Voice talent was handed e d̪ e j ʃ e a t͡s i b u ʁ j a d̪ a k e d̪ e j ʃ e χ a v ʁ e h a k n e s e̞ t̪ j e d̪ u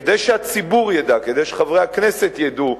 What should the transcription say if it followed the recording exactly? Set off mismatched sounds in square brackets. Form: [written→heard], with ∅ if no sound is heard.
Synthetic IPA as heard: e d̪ e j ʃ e a t͡s i b u ʁ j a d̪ a k e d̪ e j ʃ e χ a v ʁ e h a k n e s e̞ t̪ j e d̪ u